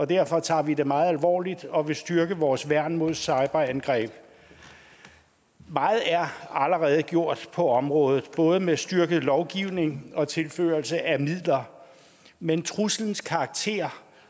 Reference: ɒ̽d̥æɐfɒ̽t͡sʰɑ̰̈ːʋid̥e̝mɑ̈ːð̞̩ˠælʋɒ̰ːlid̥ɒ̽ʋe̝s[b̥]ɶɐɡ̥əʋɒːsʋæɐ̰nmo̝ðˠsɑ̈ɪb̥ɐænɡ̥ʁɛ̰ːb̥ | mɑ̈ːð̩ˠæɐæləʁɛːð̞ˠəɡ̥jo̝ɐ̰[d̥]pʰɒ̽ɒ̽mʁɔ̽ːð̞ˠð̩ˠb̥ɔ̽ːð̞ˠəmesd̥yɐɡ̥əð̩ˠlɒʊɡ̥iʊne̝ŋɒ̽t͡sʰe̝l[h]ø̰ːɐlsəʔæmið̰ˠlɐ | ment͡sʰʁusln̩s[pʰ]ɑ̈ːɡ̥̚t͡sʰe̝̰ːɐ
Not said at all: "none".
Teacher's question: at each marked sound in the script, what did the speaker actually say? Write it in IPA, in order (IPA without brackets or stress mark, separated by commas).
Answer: d̥, d̥, f, kʰ